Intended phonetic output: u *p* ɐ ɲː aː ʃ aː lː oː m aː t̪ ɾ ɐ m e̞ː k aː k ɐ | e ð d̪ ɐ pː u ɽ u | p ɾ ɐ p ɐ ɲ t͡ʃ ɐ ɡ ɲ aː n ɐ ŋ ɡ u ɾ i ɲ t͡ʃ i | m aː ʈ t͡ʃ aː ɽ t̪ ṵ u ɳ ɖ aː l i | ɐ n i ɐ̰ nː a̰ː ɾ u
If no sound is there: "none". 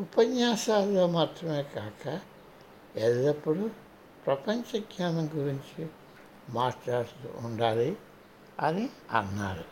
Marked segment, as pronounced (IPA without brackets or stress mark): p